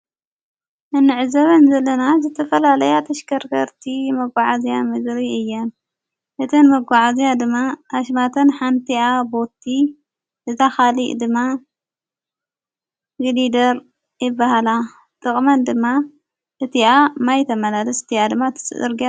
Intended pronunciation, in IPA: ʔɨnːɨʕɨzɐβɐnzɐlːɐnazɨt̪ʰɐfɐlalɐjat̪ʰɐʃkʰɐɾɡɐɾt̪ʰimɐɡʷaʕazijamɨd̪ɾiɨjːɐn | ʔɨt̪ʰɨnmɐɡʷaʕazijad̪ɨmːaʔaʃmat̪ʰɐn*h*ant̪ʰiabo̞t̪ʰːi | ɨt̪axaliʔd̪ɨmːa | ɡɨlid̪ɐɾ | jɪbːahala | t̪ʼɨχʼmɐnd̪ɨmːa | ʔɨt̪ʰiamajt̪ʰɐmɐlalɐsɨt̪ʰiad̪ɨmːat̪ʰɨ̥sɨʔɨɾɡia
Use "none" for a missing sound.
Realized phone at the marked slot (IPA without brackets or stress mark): ħ